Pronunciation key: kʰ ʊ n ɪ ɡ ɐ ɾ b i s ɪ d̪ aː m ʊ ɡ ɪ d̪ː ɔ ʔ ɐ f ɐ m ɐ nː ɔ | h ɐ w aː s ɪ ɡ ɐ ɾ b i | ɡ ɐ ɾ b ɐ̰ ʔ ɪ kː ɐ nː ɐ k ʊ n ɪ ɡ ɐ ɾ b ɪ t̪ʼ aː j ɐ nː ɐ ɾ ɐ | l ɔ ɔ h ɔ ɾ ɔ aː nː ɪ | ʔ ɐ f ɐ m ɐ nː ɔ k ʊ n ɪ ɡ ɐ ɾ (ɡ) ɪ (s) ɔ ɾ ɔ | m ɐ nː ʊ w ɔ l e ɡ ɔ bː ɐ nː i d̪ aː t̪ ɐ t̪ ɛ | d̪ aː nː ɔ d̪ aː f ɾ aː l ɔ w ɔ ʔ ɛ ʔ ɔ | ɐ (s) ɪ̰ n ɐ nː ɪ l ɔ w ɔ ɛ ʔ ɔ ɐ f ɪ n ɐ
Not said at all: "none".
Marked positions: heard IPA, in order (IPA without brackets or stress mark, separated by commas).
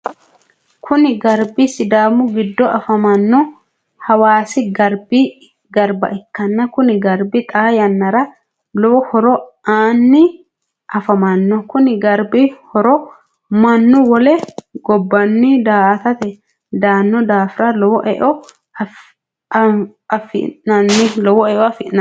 b, h, f